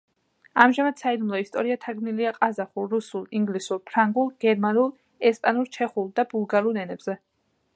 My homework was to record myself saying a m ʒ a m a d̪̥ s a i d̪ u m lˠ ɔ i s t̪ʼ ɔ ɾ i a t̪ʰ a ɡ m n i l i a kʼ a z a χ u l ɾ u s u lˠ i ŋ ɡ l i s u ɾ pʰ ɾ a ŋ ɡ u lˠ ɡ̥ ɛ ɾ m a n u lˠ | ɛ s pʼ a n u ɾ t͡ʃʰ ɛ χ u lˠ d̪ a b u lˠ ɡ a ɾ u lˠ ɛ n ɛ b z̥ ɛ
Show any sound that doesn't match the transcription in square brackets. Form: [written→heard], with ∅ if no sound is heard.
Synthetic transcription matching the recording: a m ʒ a m a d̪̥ s a i d̪ u m lˠ ɔ i s t̪ʼ ɔ ɾ i a t̪ʰ a ɡ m n i l i a [kʼ→qʼ] a z a χ u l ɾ u s u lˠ i ŋ ɡ l i s u ɾ pʰ ɾ a ŋ ɡ u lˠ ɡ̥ ɛ ɾ m a n u lˠ | ɛ s pʼ a n u ɾ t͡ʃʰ ɛ χ u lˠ d̪ a b u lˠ ɡ a ɾ u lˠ ɛ n ɛ b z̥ ɛ